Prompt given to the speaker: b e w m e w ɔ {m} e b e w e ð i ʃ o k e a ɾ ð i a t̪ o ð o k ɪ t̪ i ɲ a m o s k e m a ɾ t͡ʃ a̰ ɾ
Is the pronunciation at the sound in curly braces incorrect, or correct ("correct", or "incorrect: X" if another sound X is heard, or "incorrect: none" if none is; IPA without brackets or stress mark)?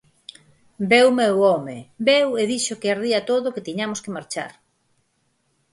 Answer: correct